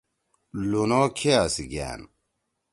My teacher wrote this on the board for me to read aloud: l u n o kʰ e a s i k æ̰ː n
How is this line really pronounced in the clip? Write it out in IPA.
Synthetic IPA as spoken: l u n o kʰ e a s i ɡ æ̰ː n